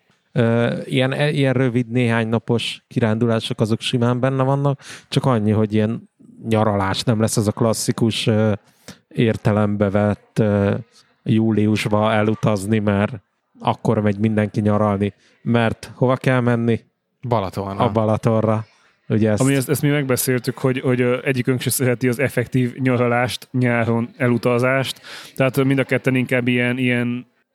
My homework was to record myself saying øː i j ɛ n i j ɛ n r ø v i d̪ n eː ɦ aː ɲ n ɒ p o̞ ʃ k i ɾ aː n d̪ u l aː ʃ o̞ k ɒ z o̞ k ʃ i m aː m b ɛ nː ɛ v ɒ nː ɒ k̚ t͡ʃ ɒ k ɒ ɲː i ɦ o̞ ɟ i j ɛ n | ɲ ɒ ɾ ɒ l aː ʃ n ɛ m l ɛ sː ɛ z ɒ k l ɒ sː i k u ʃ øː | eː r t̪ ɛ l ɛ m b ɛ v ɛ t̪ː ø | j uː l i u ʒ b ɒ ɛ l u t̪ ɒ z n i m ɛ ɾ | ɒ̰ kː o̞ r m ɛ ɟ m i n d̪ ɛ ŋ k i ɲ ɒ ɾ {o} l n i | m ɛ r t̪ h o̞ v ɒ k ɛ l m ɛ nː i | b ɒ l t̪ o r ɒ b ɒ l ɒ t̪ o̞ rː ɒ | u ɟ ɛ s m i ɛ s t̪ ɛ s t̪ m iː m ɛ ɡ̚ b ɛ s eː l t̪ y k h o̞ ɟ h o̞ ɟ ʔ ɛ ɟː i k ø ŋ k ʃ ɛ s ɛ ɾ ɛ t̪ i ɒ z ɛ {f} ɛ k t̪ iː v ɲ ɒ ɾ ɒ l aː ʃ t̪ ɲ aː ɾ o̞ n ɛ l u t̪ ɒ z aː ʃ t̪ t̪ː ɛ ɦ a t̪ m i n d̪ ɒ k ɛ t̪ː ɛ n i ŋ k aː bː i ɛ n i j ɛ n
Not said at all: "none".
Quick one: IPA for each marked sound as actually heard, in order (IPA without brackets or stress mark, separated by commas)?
ɒ, f